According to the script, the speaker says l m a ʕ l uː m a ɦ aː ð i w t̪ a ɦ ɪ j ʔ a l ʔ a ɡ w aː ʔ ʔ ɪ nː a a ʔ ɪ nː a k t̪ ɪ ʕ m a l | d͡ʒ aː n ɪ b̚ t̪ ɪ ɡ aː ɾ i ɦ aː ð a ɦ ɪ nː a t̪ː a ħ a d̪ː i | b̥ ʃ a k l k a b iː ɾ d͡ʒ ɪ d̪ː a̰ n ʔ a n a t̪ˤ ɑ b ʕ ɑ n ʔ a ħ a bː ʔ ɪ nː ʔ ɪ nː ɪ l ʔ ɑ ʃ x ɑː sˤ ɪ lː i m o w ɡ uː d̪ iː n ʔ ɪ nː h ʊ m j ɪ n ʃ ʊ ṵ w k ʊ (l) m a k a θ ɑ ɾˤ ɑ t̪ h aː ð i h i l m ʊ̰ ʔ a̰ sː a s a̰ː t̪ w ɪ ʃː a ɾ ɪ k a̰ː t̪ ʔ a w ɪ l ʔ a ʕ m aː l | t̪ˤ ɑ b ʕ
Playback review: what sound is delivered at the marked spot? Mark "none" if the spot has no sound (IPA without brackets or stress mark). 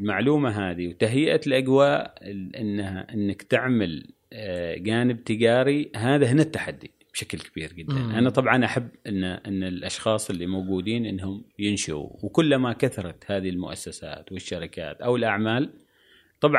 lː